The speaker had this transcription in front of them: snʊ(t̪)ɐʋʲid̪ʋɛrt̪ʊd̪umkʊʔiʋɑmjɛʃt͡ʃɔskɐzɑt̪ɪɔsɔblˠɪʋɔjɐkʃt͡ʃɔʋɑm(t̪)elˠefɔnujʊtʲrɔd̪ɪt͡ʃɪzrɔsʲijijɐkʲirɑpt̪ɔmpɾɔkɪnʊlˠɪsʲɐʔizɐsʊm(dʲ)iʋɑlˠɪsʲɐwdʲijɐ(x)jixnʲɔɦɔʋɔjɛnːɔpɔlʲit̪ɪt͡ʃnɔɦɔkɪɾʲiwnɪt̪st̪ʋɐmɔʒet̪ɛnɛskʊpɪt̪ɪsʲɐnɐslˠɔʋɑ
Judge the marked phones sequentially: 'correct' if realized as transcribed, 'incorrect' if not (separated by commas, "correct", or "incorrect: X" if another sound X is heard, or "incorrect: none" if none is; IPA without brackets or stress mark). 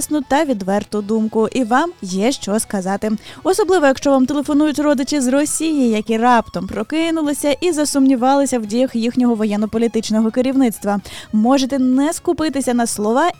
correct, correct, incorrect: nʲ, correct